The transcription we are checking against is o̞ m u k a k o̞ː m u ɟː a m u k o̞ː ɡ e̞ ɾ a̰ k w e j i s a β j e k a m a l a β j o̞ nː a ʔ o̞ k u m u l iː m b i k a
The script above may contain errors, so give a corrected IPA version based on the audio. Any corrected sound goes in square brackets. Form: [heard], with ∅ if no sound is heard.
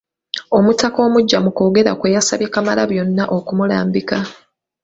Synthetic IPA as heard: o̞ m u [t] a k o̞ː m u ɟː a m u k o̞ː ɡ e̞ ɾ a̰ k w e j [a] s a β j e k a m a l a β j o̞ nː a ʔ o̞ k u m u l [aː] m b i k a